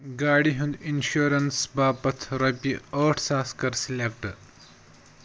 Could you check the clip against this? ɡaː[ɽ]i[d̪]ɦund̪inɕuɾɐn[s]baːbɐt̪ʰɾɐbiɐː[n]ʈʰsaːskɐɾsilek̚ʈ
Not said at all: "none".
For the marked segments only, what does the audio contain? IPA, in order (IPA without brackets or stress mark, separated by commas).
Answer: ɽ, none, s, none